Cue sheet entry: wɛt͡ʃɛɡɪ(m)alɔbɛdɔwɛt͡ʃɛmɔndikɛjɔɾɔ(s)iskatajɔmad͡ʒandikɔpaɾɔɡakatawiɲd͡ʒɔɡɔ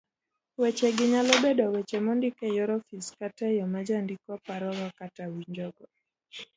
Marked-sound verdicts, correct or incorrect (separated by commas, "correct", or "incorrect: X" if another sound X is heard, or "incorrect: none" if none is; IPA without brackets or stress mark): incorrect: ɲ, incorrect: f